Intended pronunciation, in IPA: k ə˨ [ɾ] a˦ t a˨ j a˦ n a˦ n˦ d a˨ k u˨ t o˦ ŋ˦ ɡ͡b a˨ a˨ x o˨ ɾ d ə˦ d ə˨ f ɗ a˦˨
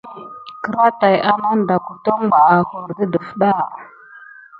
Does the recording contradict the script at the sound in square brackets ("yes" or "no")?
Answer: no